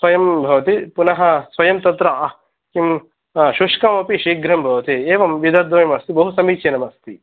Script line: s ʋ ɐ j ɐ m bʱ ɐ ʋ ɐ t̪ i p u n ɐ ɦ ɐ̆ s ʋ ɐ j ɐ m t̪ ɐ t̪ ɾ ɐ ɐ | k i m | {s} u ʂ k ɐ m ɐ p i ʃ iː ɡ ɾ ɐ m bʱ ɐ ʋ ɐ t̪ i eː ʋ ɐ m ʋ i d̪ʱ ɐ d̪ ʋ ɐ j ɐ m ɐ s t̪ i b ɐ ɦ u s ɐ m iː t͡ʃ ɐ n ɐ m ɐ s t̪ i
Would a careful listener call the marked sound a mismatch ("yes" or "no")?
yes